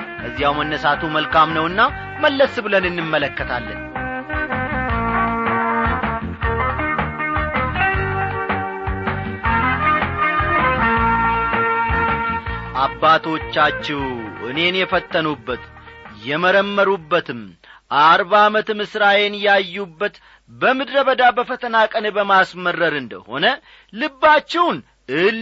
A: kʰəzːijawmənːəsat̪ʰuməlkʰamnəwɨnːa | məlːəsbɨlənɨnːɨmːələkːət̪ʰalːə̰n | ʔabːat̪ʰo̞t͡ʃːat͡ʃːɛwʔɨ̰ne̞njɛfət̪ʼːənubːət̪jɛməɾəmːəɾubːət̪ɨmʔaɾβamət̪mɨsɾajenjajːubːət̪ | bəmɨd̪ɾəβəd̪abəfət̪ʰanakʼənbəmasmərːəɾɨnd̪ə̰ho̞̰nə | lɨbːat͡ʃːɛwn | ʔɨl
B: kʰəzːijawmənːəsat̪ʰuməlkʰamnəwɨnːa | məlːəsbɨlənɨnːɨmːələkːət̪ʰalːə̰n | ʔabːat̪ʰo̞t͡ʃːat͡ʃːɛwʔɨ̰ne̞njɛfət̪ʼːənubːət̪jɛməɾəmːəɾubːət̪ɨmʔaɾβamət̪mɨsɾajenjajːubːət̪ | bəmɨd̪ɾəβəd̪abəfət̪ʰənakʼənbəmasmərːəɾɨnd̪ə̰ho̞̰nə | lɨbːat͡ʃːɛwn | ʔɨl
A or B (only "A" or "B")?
B